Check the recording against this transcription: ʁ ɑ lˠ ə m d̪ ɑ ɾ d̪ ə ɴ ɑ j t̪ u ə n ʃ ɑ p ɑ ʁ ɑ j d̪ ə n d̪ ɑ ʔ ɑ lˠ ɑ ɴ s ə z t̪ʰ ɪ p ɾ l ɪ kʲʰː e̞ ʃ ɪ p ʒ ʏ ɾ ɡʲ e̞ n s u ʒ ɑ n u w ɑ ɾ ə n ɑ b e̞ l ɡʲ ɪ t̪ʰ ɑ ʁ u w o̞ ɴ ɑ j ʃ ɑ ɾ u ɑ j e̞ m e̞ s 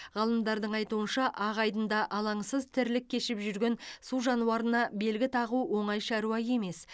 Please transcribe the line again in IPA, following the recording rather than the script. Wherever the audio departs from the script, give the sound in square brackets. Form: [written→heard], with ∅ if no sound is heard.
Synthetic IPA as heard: ʁ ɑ lˠ ə m d̪ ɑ ɾ d̪ ə ɴ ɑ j t̪ u ə n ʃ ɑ [p→ʔ] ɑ ʁ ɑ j d̪ ə n d̪ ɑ ʔ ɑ lˠ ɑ ɴ s ə z t̪ʰ ɪ [p→∅] ɾ l ɪ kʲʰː e̞ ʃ ɪ p ʒ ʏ ɾ ɡʲ e̞ n s u ʒ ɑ n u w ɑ ɾ ə n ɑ b e̞ l ɡʲ ɪ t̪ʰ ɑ ʁ u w o̞ ɴ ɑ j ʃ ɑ ɾ u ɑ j e̞ m e̞ s